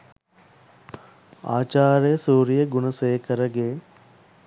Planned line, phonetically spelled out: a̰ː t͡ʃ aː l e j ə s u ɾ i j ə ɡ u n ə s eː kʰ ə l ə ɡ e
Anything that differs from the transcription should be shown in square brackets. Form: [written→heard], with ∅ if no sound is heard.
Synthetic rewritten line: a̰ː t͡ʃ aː [l→ɾ] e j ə s [u→uː] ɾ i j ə ɡ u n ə s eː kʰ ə [l→ɾ] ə ɡ e